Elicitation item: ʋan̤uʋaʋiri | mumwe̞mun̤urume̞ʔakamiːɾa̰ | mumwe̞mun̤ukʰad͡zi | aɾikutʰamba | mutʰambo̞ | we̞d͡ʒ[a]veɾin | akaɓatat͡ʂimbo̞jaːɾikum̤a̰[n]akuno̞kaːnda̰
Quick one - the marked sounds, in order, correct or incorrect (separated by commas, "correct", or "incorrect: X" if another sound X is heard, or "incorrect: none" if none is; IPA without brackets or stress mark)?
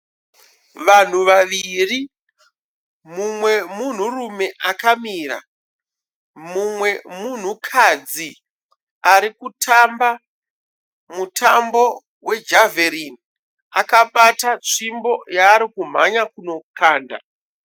correct, incorrect: ɲ